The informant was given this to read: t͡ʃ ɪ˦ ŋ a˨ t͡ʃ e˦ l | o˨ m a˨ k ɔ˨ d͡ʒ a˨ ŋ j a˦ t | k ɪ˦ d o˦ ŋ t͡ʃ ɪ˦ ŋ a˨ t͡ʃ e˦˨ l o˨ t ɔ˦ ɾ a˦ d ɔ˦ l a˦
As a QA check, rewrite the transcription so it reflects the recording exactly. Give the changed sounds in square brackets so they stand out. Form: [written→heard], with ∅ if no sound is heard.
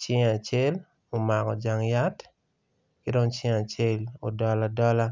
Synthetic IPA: t͡ʃ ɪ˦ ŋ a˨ t͡ʃ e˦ l | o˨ m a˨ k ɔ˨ d͡ʒ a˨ ŋ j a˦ t | k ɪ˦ d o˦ ŋ t͡ʃ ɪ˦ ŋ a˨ t͡ʃ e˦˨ l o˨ [t→d] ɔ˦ [ɾ→l] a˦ d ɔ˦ l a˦